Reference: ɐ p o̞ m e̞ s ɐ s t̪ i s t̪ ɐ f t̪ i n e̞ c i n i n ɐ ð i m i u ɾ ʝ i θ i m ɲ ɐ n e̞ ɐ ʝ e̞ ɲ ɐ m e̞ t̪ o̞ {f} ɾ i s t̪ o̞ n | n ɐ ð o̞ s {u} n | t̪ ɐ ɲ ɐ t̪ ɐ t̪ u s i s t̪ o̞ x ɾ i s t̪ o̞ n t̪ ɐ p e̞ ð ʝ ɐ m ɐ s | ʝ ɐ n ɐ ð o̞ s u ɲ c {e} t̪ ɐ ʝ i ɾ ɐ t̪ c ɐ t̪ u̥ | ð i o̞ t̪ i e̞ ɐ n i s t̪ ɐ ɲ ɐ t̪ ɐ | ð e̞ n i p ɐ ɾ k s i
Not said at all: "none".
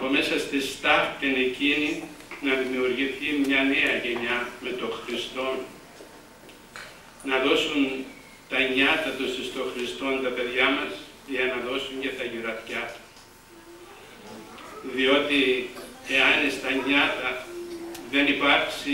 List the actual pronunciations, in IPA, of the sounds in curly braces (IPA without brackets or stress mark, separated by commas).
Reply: x, u, e